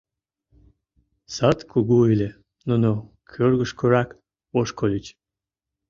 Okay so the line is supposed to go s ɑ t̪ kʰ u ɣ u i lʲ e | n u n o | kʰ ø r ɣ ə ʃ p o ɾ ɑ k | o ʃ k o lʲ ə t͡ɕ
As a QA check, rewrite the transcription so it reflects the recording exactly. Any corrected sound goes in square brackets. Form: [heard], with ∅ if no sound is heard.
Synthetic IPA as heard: s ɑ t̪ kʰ u ɣ u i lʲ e | n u n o | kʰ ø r ɣ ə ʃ [k] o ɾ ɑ k | o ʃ k o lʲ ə t͡ɕ